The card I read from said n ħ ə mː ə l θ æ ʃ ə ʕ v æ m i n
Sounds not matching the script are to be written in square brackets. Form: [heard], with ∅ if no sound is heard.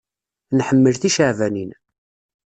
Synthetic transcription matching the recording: n ħ ə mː ə l θ [i] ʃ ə ʕ v æ [n] i n